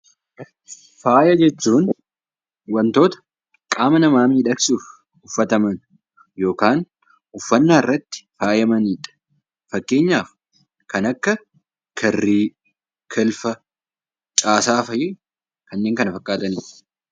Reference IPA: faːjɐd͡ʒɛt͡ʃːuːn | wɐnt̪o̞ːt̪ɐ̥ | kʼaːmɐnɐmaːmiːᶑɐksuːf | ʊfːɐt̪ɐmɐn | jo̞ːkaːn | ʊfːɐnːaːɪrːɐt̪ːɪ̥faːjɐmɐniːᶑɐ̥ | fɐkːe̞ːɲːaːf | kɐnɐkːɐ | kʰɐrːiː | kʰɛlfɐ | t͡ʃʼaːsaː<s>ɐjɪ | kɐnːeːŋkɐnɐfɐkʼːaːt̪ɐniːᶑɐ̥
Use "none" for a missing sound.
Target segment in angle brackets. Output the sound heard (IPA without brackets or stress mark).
f